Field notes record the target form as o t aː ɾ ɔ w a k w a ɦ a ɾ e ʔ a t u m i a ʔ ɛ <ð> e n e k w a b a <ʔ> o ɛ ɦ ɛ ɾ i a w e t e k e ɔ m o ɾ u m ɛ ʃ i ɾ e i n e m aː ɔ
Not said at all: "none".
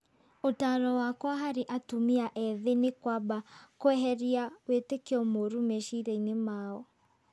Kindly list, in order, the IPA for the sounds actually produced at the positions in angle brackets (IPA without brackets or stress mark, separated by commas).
ð, k